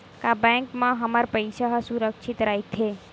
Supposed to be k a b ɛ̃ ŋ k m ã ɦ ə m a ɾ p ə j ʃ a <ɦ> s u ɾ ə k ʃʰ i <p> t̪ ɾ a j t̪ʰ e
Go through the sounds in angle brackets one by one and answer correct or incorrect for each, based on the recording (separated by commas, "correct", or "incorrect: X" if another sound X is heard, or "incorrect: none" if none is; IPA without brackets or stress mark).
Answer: correct, incorrect: none